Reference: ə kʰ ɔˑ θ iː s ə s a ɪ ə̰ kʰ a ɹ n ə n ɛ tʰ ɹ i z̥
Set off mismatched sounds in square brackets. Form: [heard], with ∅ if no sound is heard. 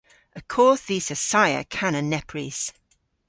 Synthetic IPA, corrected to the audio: ə kʰ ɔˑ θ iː s ə s a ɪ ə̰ kʰ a [∅] n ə n ɛ [pʰ] ɹ i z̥